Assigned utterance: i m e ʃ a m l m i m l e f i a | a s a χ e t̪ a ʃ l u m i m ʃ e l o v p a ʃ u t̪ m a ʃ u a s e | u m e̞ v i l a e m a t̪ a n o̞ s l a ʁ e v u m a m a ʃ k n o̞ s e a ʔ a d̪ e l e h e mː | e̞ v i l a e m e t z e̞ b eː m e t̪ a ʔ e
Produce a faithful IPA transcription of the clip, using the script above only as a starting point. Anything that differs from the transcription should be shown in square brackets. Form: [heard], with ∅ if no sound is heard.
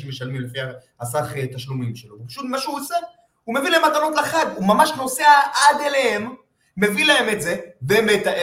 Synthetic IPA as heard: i m e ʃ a [∅] l m i m l e f i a | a s a χ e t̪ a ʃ l u m i m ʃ e l o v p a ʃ u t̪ m a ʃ u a s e | u m e̞ v i l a e m a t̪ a n o̞ [t] l a [χ] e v u m a m a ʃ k n o̞ s e a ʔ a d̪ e l e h e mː | e̞ v i l a e m e t z e̞ b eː m e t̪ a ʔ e